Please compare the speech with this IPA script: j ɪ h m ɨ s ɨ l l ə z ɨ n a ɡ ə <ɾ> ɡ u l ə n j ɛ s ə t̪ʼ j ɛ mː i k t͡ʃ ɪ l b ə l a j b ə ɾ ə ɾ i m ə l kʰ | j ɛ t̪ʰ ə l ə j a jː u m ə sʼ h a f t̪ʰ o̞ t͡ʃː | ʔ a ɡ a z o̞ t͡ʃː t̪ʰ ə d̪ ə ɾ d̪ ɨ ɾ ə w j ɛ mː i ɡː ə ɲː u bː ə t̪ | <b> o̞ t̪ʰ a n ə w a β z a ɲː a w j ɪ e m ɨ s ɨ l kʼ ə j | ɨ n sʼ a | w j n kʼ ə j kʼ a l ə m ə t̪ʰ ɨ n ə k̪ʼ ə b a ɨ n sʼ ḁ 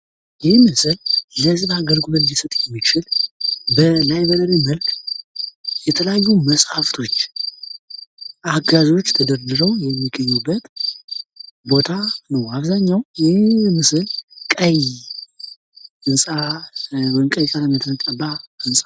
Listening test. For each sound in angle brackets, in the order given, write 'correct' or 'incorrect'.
incorrect: l, correct

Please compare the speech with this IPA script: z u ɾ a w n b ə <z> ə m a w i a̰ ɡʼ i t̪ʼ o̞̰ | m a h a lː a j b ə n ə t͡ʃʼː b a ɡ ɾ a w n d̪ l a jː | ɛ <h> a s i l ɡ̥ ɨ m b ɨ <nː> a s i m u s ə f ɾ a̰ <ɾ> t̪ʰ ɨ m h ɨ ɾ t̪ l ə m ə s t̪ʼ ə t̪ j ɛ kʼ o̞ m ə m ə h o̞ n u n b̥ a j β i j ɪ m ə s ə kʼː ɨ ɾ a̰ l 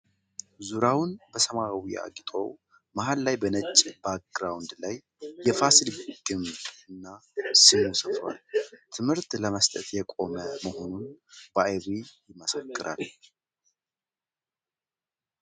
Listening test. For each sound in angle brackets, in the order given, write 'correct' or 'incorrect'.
incorrect: s, incorrect: f, correct, incorrect: l

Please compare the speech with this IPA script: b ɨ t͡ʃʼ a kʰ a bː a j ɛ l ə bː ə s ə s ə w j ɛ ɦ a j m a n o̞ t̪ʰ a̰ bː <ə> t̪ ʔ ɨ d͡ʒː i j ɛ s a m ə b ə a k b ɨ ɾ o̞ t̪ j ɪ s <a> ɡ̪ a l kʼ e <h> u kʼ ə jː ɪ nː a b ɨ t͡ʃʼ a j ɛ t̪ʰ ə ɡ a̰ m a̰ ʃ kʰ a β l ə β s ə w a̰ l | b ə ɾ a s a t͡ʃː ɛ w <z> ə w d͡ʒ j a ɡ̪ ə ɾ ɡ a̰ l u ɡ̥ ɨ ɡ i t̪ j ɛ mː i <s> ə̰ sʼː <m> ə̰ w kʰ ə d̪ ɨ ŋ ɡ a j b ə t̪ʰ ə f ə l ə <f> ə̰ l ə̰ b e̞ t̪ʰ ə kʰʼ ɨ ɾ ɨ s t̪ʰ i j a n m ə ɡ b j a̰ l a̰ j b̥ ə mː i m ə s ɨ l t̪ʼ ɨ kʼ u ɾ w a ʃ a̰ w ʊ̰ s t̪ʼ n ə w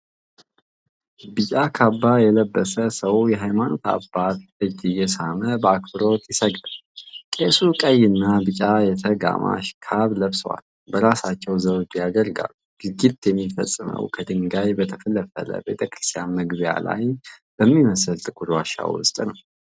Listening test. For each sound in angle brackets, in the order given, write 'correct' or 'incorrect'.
incorrect: a, incorrect: ə, incorrect: s, correct, incorrect: f, correct, correct

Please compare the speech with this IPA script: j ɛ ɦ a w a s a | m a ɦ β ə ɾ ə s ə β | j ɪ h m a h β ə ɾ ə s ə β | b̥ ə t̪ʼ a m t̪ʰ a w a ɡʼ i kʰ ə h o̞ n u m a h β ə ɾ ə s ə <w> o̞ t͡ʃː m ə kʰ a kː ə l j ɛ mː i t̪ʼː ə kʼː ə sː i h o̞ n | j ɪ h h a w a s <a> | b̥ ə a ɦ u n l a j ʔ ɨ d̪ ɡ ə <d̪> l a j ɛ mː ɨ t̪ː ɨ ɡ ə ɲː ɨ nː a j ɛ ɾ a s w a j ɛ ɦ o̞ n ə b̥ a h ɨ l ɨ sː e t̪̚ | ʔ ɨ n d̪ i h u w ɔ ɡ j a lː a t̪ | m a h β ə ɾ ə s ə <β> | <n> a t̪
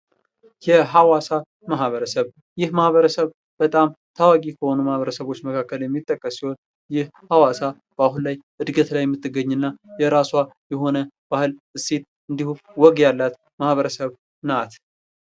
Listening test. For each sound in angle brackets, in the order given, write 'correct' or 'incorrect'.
incorrect: β, correct, incorrect: t̪, correct, correct

